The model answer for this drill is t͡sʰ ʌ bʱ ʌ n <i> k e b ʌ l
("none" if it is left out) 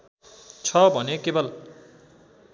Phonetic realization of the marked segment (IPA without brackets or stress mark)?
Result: e